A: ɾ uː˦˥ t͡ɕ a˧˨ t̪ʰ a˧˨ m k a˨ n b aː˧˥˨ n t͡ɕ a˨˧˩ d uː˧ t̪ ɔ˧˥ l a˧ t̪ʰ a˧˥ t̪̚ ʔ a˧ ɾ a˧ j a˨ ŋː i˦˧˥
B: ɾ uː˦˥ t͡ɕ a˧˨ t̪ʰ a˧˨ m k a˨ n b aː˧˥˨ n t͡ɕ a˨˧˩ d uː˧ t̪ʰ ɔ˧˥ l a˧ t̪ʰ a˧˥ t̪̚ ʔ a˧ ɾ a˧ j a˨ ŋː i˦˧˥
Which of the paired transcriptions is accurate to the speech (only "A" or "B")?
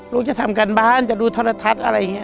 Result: B